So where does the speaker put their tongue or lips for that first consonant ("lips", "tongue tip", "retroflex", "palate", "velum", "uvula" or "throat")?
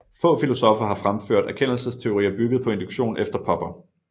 lips